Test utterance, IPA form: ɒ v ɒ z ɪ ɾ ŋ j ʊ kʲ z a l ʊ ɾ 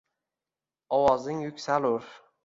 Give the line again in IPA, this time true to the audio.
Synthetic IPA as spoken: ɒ w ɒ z ɪ ŋ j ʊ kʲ s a l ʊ ɾ